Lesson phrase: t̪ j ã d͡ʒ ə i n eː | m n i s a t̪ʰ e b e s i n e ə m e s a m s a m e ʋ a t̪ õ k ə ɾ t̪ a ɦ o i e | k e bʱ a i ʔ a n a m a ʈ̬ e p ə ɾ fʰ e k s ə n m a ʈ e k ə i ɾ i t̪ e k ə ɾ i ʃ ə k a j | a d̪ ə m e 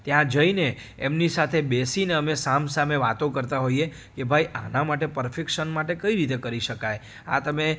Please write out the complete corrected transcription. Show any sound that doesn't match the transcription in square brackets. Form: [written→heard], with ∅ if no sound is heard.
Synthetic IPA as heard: t̪ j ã d͡ʒ ə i n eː | m n i s a t̪ʰ e b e s i n e ə m e s a m s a m e ʋ a t̪ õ k ə ɾ t̪ a ɦ o i e | k e bʱ a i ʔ a n a m a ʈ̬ e p ə ɾ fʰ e k [s→ʃ] ə n m a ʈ e k ə i ɾ i t̪ e k ə ɾ i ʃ ə k a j | a [d̪→t̪] ə m e